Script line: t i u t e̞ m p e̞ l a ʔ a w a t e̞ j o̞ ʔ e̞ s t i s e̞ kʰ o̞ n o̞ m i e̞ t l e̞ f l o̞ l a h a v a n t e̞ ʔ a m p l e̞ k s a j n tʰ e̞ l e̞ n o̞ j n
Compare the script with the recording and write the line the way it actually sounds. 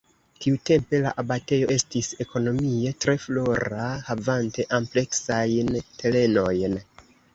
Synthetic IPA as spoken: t i u t e̞ m p e̞ l a ʔ a b a t e̞ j o̞ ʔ e̞ s t i s e̞ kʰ o̞ n o̞ m i e̞ t ɾ e̞ f l o̞ ɾ a h a v a n t e̞ ʔ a m p l e̞ k s a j n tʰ e̞ l e̞ n o̞ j n